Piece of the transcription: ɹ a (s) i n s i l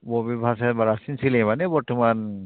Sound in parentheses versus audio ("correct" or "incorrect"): correct